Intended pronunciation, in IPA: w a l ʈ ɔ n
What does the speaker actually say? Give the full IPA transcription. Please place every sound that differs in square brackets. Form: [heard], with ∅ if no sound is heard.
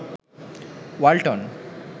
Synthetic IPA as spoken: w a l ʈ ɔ n